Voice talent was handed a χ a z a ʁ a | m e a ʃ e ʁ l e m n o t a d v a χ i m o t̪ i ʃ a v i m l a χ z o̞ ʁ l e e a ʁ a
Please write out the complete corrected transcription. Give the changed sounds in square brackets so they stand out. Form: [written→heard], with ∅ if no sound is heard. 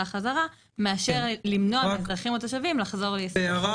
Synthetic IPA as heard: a χ a z a ʁ a | m e a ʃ e ʁ l [e→i] m n o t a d [v→ʁ] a χ i m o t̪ [i→a] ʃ a v i m l a χ z o̞ ʁ l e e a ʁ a